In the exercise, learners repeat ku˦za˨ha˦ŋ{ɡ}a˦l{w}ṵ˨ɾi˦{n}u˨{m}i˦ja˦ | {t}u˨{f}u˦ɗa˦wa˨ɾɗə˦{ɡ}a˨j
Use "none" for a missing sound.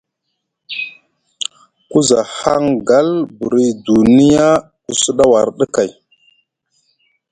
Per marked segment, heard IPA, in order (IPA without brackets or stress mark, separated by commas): ɡ, b, d, n, k, s, k